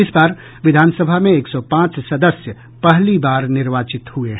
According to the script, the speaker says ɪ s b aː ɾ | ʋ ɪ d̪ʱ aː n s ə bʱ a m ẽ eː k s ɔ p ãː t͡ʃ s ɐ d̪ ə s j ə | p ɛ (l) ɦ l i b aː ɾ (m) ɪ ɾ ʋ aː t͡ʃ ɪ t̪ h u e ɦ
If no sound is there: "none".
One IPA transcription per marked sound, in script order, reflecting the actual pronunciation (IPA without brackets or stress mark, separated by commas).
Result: none, n